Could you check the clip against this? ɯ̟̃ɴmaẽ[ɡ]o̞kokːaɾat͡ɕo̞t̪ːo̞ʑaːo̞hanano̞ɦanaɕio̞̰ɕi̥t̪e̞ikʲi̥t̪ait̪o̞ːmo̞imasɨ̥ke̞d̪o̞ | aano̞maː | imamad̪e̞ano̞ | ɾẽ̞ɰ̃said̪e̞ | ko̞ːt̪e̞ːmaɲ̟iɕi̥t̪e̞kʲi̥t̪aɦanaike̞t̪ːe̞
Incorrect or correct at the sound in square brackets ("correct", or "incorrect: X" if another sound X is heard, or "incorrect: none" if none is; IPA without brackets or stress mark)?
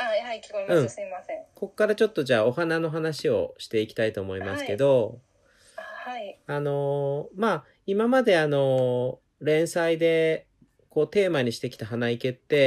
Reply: incorrect: k